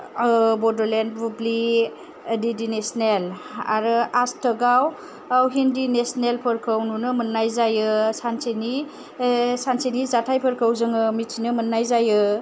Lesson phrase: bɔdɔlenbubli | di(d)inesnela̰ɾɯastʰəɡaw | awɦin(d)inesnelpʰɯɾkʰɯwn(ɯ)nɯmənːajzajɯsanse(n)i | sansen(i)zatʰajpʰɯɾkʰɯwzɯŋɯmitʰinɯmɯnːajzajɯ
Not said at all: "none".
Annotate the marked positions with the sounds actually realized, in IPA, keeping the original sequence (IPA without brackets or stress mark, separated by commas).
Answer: d, d, u, n, i